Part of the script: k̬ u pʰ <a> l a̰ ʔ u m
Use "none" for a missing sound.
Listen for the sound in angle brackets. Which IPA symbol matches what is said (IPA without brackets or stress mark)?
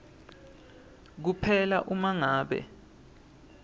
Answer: ɛ